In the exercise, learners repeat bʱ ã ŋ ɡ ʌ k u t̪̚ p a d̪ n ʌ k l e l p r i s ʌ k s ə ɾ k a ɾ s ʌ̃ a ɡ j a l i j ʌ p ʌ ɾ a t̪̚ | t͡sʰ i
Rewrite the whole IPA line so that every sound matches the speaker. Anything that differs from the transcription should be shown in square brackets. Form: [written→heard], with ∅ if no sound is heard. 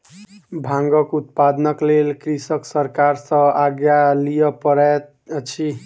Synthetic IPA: bʱ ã ŋ ɡ ʌ k u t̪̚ p a d̪ n ʌ k l e l [p→k] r i s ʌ k s [ə→ʌ] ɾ k a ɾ s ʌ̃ a ɡ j a l i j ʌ p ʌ ɾ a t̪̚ | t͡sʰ i